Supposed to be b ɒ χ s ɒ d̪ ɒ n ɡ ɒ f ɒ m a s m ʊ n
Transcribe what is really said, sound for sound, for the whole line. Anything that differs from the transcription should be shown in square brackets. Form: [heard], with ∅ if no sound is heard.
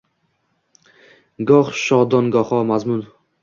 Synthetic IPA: [ɡ] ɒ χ [ʃ] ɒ d̪ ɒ n ɡ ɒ [χ] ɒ m a [z] m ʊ n